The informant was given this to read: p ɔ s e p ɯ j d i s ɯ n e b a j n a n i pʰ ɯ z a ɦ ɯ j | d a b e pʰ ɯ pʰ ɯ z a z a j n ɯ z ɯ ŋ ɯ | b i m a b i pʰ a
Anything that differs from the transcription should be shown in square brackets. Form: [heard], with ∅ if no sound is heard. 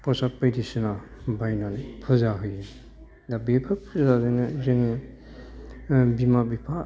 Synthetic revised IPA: p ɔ s [a] p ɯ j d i s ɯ n [a] b a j n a n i pʰ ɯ z a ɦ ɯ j | d a b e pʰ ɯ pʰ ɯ z a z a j n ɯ z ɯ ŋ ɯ | b i m a b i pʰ a